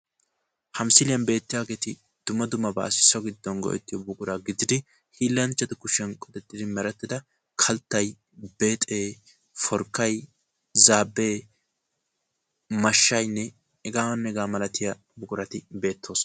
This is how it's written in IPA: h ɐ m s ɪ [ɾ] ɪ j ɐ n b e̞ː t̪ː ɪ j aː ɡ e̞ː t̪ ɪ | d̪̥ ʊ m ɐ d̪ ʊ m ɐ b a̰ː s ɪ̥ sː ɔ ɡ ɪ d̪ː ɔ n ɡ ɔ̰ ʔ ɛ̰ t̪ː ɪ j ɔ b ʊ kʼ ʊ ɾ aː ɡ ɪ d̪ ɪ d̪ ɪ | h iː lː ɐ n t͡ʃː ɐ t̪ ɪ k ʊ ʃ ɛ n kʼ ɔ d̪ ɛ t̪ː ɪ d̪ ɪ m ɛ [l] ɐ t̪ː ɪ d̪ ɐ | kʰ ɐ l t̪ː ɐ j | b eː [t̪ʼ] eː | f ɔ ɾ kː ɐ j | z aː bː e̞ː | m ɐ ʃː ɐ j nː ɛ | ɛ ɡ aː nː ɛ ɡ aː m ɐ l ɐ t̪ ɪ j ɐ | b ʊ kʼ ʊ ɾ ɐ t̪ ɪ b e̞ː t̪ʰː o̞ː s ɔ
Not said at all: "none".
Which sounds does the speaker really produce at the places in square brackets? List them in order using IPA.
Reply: l, ɾ, t̪ʼ

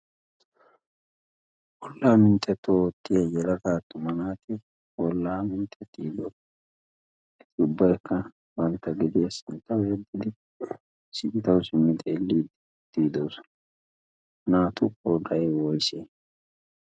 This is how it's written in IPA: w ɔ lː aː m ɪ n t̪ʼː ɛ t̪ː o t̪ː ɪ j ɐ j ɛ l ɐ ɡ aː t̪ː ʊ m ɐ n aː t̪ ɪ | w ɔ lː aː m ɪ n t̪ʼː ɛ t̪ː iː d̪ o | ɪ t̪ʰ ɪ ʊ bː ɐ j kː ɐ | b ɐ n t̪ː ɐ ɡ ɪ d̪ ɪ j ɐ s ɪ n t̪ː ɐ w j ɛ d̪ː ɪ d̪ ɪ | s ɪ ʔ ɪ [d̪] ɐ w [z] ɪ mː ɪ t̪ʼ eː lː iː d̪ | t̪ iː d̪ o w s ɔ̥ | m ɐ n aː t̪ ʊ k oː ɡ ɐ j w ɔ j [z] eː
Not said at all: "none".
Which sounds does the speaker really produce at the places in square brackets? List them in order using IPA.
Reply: t̪, s, s

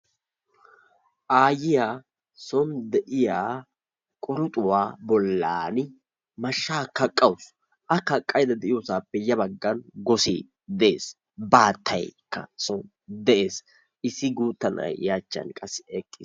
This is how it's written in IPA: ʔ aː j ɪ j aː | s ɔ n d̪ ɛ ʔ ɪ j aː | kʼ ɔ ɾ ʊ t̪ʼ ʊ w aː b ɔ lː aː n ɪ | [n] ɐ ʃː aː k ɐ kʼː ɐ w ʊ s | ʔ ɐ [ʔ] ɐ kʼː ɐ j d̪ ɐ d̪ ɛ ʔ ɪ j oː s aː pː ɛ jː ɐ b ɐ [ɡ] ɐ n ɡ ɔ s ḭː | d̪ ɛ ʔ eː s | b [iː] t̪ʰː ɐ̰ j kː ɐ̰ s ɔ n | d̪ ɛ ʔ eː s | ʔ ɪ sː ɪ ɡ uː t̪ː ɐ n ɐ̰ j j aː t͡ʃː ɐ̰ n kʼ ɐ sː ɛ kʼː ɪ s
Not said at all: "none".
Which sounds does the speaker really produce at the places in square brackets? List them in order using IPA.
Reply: m, k, ɡː, aː

